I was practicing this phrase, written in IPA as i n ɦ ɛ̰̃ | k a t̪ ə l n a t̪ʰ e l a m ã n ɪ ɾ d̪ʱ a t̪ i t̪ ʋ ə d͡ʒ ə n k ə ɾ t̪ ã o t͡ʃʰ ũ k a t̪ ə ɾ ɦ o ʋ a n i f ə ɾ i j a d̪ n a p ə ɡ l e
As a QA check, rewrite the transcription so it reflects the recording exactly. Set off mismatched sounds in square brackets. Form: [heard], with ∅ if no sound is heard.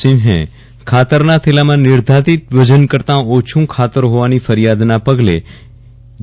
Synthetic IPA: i n ɦ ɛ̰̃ | [kʰ] a t̪ ə [ɾ] n a t̪ʰ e l a m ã n ɪ ɾ d̪ʱ a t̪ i t̪ ʋ ə d͡ʒ ə n k ə ɾ t̪ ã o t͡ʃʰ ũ [kʰ] a t̪ ə ɾ ɦ o ʋ a n i f ə ɾ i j a d̪ n a p ə ɡ l e